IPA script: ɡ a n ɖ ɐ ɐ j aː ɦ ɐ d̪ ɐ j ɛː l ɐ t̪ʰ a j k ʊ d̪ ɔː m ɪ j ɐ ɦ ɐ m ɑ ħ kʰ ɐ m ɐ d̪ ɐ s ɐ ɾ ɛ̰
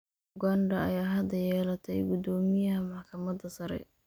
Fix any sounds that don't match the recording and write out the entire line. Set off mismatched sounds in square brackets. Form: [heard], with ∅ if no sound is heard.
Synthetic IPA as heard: ɡ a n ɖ ɐ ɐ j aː ɦ ɐ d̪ ɐ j ɛː l ɐ t̪ʰ [ɛ] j [ɡ] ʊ d̪ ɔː m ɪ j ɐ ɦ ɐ m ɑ ħ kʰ ɐ m ɐ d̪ ɐ s ɐ ɾ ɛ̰